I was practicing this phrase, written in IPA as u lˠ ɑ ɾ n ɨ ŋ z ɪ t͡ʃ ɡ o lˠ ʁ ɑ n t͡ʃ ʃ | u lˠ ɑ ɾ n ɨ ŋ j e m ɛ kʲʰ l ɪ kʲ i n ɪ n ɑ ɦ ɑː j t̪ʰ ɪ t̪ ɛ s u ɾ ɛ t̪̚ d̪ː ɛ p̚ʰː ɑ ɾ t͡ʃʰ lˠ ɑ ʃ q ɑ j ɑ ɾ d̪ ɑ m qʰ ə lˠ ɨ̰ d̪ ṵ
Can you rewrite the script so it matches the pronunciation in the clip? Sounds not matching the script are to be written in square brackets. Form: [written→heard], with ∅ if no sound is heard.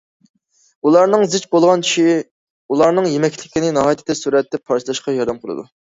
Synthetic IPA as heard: u lˠ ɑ ɾ n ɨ ŋ z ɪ t͡ʃ [ɡ→b] o lˠ ʁ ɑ n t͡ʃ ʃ | u lˠ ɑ ɾ n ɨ ŋ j e m ɛ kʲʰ l ɪ kʲ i n ɪ n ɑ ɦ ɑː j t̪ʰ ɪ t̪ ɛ s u ɾ ɛ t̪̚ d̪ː ɛ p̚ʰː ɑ ɾ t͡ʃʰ lˠ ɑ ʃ q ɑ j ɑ ɾ d̪ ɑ m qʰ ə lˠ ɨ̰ d̪ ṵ

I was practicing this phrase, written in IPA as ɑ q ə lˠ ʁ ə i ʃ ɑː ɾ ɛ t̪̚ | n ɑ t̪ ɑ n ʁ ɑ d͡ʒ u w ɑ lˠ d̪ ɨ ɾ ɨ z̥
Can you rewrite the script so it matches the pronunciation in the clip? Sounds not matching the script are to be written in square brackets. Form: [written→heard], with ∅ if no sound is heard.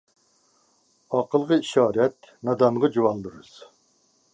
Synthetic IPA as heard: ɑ q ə lˠ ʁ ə i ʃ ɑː ɾ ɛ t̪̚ | n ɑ [t̪→d̪] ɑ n ʁ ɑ d͡ʒ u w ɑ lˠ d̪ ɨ ɾ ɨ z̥

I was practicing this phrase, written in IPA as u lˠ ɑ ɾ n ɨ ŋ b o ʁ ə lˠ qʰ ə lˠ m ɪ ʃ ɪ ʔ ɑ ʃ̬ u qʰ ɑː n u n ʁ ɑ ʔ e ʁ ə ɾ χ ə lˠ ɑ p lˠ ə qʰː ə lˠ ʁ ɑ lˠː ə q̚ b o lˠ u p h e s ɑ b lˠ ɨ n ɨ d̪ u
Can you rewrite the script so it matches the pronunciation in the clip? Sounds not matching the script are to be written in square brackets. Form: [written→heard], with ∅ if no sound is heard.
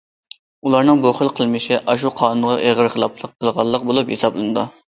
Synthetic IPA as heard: u lˠ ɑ ɾ n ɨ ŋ b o [ʁ→χ] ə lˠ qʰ ə lˠ m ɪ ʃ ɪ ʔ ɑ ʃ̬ u qʰ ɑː n u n ʁ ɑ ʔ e ʁ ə ɾ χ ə lˠ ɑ p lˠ ə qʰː ə lˠ ʁ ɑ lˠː ə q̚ b o lˠ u p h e s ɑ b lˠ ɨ n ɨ d̪ u

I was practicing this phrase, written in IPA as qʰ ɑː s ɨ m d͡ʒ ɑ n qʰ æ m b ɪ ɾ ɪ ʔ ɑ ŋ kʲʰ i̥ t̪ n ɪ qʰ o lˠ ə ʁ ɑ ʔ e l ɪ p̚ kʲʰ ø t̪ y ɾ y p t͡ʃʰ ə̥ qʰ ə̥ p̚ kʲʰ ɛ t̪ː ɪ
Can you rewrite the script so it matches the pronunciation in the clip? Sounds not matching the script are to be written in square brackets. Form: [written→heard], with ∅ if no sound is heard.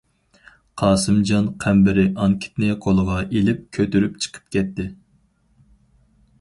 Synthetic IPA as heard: qʰ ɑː s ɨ m d͡ʒ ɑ n qʰ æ m b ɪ ɾ ɪ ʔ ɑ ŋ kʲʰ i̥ t̪ n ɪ qʰ o lˠ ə ʁ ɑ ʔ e l ɪ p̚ kʲʰ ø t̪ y ɾ y p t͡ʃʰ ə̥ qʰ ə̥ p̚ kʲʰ ɛ t̪ː ɪ

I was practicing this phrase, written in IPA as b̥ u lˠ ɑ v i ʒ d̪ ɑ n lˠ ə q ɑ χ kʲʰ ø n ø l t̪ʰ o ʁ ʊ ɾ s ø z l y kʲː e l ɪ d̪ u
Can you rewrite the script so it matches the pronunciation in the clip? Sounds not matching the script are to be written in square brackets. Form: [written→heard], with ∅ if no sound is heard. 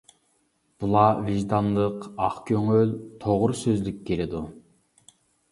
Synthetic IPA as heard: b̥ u lˠ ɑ v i ʒ d̪ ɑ n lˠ ə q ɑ χ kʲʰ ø [n→ŋ] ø l t̪ʰ o ʁ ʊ ɾ s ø z l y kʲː e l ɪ d̪ u

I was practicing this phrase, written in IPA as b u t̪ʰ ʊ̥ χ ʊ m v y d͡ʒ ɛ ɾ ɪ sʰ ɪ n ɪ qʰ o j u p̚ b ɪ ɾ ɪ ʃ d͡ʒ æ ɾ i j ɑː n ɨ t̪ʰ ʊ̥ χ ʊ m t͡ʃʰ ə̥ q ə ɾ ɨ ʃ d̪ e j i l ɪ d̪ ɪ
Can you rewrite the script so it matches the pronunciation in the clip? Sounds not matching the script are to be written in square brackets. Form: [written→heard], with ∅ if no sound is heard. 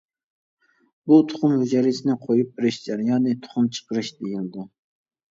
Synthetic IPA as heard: b u t̪ʰ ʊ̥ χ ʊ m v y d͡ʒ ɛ ɾ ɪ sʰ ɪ n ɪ qʰ o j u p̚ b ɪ ɾ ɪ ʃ d͡ʒ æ ɾ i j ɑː n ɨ t̪ʰ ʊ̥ χ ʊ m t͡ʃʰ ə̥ q ə ɾ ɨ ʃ d̪ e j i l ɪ d̪ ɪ

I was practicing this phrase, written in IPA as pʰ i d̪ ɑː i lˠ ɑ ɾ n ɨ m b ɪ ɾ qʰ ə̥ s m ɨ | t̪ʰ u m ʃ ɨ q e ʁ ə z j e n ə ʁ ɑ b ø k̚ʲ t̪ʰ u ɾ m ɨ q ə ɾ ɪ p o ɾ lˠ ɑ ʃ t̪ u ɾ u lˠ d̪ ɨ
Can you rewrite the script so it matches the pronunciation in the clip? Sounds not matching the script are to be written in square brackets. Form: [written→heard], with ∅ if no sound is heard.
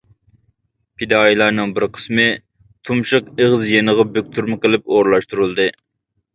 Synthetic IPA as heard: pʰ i d̪ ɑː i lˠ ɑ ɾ n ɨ [m→ŋ] b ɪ ɾ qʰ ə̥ s m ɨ | t̪ʰ u m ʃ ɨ q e ʁ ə z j e n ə ʁ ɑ b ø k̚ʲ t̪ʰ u ɾ m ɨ q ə [ɾ→l] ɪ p o ɾ lˠ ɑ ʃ t̪ u ɾ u lˠ d̪ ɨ

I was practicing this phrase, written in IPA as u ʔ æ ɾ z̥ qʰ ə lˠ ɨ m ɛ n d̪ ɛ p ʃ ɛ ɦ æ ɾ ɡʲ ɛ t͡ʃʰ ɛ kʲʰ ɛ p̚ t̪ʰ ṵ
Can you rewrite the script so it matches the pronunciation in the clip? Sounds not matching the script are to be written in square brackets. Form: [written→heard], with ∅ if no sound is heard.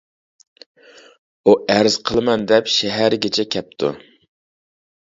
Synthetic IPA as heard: u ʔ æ ɾ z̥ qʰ ə lˠ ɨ m ɛ n d̪ ɛ p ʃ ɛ ɦ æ ɾ ɡʲ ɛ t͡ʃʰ ɛ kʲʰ ɛ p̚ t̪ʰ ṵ

